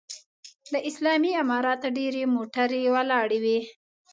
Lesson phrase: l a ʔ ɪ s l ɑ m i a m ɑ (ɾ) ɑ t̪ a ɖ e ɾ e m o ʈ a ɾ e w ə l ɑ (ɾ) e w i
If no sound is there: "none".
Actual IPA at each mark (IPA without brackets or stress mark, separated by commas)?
ɾ, ɽ